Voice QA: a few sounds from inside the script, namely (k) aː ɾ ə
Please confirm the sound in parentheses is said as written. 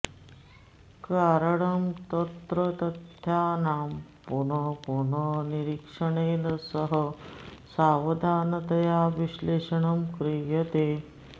yes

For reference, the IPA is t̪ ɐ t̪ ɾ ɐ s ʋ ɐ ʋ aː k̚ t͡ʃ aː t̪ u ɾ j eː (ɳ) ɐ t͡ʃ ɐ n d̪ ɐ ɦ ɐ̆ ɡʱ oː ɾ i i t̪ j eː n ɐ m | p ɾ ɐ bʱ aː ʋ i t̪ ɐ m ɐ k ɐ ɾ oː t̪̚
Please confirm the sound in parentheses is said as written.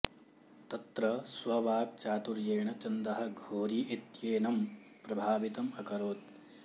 yes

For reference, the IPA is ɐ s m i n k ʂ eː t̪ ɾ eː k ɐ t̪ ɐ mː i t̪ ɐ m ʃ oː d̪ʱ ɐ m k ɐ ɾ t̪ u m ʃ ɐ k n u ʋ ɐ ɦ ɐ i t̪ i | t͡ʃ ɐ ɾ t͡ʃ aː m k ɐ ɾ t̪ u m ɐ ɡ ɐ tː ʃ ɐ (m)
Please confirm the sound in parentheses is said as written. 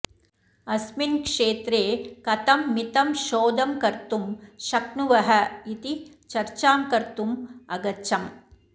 yes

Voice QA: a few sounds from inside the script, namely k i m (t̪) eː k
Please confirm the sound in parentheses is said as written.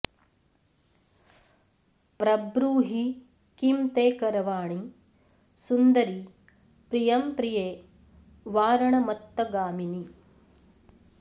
yes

